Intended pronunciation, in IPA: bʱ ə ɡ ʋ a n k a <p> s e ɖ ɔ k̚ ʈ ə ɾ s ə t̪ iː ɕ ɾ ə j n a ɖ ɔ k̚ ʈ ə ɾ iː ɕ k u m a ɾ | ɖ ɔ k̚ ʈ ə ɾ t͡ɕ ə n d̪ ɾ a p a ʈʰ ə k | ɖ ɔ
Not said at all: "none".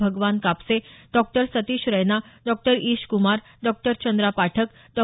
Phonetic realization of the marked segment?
p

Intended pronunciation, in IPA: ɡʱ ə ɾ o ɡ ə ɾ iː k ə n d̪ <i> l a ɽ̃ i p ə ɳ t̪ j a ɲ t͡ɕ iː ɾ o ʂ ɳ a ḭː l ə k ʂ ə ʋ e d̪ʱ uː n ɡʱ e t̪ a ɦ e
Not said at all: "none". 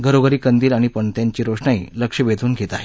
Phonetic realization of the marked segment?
iː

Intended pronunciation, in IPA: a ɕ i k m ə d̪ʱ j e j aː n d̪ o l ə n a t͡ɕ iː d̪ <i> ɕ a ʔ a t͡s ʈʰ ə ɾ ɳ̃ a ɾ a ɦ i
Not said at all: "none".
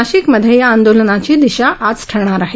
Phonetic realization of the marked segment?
i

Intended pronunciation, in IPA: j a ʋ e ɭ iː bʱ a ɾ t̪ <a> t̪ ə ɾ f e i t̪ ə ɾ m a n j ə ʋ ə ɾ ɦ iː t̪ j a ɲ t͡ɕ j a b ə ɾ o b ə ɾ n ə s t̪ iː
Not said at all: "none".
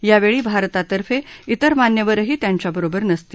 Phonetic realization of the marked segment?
a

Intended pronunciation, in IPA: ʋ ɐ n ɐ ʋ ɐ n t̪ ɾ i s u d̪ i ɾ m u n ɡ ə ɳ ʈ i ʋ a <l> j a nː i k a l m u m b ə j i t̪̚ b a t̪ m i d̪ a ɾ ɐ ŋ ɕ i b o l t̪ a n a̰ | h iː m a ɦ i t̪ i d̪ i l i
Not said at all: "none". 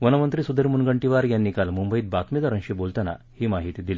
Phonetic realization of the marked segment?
ɾ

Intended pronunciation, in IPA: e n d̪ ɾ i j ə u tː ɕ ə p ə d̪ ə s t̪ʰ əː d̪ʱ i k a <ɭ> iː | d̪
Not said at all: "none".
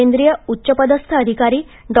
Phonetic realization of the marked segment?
ɾ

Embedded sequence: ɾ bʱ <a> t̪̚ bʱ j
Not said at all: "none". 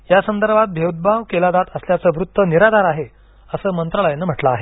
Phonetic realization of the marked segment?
a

